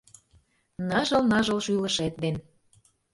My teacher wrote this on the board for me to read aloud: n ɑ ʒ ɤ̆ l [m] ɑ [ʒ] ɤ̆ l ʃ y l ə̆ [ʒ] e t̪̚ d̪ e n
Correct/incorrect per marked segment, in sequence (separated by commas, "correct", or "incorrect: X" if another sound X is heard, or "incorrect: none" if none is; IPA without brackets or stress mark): incorrect: n, correct, incorrect: ʃ